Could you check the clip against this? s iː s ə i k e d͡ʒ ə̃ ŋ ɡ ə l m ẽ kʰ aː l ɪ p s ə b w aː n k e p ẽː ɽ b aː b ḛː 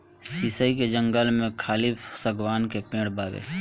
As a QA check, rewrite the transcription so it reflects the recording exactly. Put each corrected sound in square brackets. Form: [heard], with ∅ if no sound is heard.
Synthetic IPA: s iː s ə i k e d͡ʒ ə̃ ŋ ɡ ə l m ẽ kʰ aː l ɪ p s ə [ɡ] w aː n k e p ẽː ɽ b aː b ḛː